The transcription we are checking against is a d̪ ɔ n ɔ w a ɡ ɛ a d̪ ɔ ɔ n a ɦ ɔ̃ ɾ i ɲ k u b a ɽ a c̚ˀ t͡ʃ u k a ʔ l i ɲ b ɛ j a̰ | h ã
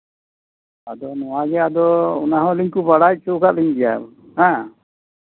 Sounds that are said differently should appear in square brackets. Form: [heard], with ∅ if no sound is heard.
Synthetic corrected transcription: a d̪ ɔ n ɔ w a ɡ ɛ a d̪ ɔ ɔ n a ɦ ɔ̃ [l] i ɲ k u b a ɽ a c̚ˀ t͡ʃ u k a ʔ l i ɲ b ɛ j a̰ | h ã